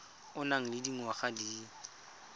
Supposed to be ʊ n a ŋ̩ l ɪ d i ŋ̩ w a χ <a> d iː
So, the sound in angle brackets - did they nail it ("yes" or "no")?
yes